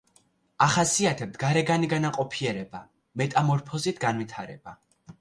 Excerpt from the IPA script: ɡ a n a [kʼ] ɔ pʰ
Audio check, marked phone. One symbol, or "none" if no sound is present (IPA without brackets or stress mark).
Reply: qʼ